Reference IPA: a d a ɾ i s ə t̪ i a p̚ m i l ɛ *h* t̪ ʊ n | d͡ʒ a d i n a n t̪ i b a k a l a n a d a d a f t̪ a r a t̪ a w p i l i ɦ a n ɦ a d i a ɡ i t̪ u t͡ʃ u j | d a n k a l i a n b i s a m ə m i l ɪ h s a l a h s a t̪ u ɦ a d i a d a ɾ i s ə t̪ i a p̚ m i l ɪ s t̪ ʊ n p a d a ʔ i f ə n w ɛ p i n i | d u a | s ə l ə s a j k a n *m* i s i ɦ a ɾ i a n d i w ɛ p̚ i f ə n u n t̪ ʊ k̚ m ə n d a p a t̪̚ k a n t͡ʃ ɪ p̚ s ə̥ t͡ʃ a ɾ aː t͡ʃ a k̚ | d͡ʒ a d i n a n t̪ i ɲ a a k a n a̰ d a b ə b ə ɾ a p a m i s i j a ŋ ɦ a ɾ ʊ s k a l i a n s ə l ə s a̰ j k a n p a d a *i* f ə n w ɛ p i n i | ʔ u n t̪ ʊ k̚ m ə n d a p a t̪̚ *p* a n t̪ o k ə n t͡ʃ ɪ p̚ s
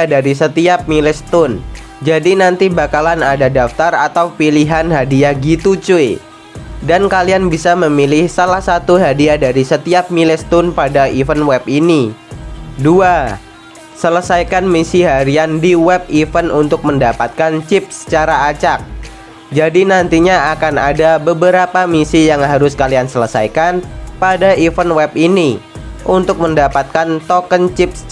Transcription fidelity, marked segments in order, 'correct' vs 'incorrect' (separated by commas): incorrect, correct, correct, incorrect